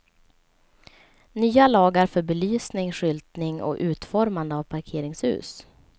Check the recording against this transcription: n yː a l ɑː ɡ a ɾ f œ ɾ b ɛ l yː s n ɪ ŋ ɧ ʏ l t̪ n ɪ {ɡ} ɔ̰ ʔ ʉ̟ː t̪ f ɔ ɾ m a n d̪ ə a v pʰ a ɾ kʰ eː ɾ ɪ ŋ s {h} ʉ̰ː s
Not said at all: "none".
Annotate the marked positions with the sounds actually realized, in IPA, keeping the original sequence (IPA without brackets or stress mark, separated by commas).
ŋ, h